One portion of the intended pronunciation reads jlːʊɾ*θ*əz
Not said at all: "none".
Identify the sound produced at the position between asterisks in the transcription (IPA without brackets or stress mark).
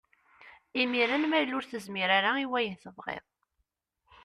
θ